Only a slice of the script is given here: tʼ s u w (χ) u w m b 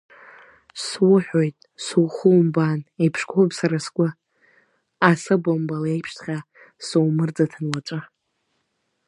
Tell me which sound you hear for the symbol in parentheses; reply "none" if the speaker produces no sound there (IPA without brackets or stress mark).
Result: χ